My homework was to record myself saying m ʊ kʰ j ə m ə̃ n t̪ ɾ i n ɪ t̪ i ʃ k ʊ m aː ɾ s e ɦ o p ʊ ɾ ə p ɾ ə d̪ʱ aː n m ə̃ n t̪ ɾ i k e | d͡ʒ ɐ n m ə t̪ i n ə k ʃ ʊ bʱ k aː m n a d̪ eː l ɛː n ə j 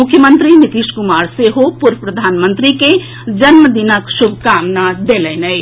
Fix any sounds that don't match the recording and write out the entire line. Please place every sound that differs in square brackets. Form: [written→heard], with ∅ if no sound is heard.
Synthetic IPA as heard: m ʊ kʰ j ə m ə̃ n t̪ ɾ i n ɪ t̪ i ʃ k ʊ m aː ɾ s e ɦ o p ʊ ɾ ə p ɾ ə d̪ʱ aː n m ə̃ n t̪ ɾ i k e | d͡ʒ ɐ n m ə [t̪→d̪] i n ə k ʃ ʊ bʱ k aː m n a d̪ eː l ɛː n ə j